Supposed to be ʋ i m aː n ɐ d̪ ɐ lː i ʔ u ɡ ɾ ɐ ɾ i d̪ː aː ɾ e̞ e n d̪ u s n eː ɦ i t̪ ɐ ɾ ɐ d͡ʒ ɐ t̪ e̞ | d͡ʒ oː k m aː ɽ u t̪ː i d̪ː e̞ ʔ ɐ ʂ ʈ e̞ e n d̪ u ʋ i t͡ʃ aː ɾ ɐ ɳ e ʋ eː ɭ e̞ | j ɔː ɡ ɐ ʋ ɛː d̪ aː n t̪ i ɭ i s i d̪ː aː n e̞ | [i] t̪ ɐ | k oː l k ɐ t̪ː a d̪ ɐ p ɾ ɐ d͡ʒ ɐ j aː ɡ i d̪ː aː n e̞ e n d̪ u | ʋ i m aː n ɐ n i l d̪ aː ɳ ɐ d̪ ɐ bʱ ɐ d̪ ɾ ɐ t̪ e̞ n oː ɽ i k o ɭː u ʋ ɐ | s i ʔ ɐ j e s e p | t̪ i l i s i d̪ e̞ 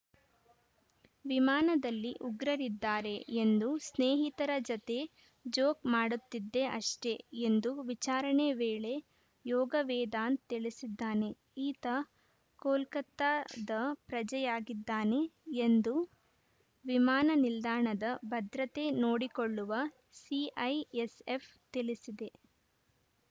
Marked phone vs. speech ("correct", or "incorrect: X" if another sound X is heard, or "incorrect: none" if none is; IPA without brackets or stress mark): incorrect: iː